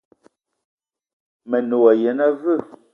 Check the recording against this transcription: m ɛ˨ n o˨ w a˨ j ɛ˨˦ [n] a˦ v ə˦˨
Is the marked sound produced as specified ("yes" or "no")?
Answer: yes